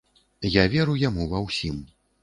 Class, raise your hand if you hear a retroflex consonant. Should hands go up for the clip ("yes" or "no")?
no